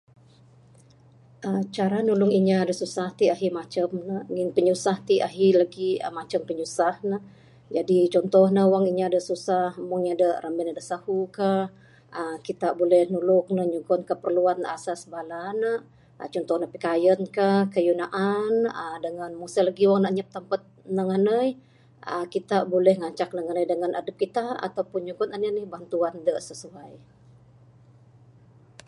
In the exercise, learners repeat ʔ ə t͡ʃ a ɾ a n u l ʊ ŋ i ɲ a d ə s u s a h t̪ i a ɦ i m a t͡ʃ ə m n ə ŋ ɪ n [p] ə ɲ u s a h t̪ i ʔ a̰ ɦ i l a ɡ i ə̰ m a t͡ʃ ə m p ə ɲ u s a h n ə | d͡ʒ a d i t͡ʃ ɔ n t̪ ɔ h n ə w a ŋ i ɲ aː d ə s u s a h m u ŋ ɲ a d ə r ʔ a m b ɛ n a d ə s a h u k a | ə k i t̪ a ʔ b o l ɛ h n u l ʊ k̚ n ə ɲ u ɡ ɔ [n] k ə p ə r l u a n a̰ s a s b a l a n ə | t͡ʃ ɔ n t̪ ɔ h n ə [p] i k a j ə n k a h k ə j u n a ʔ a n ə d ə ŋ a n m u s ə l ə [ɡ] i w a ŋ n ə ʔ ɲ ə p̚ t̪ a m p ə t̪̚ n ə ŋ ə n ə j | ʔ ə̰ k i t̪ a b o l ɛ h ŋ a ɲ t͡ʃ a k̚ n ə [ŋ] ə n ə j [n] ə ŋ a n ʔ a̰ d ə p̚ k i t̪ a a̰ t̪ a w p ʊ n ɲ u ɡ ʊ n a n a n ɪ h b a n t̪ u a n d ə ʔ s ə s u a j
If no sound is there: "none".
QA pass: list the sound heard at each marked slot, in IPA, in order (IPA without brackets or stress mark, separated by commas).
p, n, p, ɡ, ŋ, d